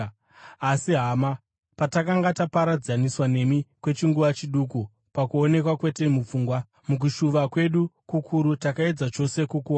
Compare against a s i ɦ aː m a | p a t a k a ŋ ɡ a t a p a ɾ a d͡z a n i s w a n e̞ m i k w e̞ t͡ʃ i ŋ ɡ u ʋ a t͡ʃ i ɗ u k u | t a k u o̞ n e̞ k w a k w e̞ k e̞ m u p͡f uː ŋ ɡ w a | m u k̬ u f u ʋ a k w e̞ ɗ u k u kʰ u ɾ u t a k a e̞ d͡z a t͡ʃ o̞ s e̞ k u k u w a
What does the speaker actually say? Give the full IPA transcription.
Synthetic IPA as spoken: a s i ɦ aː m a | p a t a k a ŋ ɡ a t a p a ɾ a d͡z a n i s w a n e̞ m i k w e̞ t͡ʃ i ŋ ɡ u ʋ a t͡ʃ i ɗ u k u | p a k u o̞ n e̞ k w a k w e̞ t e̞ m u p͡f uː ŋ ɡ w a | m u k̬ u ʃ u ʋ a k w e̞ ɗ u k u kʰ u ɾ u t a k a e̞ d͡z a t͡ʃ o̞ s e̞ k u k u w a